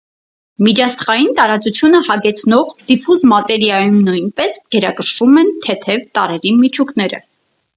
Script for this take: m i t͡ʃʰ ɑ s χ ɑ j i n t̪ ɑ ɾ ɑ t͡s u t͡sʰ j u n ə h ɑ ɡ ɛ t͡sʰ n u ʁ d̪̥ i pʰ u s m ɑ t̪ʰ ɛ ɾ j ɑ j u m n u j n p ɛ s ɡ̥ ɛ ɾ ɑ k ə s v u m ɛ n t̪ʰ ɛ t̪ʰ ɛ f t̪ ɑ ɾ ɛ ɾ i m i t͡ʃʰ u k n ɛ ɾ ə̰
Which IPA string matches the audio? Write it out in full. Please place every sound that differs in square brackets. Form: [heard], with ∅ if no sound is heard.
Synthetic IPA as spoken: m i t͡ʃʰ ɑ s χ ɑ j i n t̪ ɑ ɾ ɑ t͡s u t͡sʰ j u n ə h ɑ ɡ ɛ t͡sʰ n [ɔ] ʁ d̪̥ i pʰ u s m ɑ [t̪] ɛ ɾ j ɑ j u m n u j n p ɛ s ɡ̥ ɛ ɾ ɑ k ə [ʃ] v u m ɛ n t̪ʰ ɛ t̪ʰ ɛ [v] t̪ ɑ ɾ ɛ ɾ i m i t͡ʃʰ u k n ɛ ɾ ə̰